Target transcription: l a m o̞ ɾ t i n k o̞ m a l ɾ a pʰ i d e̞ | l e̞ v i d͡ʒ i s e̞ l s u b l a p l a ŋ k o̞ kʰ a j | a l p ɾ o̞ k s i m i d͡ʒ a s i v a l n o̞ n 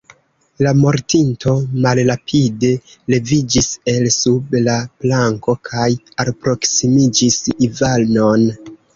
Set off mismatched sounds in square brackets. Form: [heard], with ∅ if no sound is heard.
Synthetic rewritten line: l a m o̞ ɾ t i n [t] o̞ m a l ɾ a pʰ i d e̞ | l e̞ v i d͡ʒ i s e̞ l s u b l a p l a ŋ k o̞ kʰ a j | a l p ɾ o̞ k s i m i d͡ʒ [i] s i v a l n o̞ n